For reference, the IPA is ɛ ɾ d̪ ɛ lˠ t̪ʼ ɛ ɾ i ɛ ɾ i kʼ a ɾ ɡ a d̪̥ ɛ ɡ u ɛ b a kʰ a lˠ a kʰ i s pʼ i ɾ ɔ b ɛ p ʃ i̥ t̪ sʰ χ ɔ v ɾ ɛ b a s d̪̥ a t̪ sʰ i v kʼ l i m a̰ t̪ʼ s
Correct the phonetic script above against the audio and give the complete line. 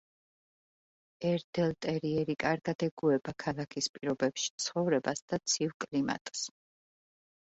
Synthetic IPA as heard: ɛ ɾ d̪ ɛ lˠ t̪ʼ ɛ ɾ i ɛ ɾ i kʼ a ɾ ɡ a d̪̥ ɛ ɡ u ɛ b a kʰ a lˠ a kʰ i s pʼ i ɾ ɔ b ɛ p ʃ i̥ t̪ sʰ χ ɔ v ɾ ɛ b a s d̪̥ a t̪ sʰ i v kʼ l i m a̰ t̪ʼ s